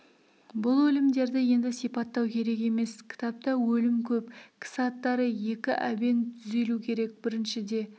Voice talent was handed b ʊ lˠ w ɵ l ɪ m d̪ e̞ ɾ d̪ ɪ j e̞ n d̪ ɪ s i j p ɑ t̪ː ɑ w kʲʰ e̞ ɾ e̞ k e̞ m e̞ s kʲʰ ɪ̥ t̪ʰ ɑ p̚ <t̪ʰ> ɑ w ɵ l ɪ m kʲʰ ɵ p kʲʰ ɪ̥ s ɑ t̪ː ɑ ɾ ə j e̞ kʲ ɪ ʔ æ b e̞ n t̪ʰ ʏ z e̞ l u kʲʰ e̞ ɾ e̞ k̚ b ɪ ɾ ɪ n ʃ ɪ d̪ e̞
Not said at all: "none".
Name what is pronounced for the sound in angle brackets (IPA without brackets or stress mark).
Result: t̪